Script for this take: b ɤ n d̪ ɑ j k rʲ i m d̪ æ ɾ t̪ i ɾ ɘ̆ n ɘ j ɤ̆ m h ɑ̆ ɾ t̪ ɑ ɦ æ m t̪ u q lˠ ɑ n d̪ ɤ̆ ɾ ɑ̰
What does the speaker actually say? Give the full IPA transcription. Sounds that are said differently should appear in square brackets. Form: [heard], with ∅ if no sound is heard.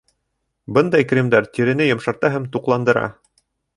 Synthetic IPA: b ɤ n d̪ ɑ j k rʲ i m d̪ æ ɾ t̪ i ɾ ɘ̆ n ɘ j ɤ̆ m [ʃ] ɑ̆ ɾ t̪ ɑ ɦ æ m t̪ u q lˠ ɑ n d̪ ɤ̆ ɾ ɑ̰